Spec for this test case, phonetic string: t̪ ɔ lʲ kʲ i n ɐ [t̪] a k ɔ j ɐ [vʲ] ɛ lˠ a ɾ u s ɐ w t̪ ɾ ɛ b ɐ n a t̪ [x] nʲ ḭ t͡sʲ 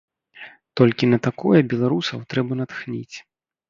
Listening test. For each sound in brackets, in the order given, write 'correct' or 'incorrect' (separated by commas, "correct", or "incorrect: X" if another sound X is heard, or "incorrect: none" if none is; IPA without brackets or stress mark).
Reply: correct, incorrect: bʲ, correct